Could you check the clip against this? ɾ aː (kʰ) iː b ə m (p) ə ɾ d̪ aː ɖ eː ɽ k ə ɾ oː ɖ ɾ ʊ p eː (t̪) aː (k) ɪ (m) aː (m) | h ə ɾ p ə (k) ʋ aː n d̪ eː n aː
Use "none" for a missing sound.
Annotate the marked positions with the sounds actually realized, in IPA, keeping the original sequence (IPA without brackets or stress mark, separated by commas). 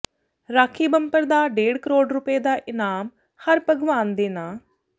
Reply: kʰ, p, d̪, ʔ, n, m, ɡ